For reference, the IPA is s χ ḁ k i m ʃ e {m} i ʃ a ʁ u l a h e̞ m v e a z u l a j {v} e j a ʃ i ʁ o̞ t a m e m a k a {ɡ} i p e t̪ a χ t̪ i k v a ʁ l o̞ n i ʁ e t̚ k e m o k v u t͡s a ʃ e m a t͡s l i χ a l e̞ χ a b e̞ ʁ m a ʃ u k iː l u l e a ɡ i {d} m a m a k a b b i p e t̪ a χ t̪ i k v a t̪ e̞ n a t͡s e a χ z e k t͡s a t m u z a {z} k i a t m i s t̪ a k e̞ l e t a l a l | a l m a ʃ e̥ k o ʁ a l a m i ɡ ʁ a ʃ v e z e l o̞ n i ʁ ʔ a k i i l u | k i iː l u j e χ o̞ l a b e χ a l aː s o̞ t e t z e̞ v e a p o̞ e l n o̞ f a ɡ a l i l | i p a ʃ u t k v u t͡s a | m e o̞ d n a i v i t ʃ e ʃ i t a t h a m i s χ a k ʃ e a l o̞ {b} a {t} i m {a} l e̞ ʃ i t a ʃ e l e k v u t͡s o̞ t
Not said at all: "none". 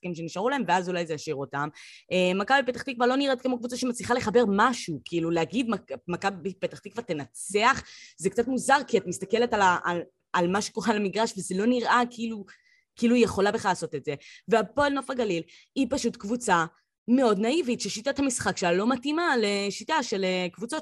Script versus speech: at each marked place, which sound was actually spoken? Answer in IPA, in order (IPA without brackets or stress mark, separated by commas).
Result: n, z, b, d, ʁ, m, t, a